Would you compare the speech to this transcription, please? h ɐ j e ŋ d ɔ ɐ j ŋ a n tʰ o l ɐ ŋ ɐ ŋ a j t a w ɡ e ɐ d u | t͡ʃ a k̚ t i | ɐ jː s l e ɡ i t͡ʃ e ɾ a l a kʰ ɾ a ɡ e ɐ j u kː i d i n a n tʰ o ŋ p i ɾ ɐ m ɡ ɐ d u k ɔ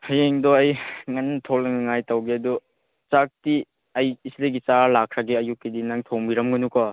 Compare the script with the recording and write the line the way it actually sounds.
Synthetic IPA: h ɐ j e ŋ d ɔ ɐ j ŋ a n tʰ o l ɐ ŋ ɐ ŋ a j t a w ɡ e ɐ d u | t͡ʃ a k̚ t i | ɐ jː s l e ɡ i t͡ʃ a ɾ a l a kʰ ɾ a ɡ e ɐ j u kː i d i n a ŋ tʰ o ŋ b i ɾ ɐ m ɡ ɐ n u k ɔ